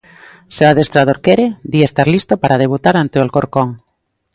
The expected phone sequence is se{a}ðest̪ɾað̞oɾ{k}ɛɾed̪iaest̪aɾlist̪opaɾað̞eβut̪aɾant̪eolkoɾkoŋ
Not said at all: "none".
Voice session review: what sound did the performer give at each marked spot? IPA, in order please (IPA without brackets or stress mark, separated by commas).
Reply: a, k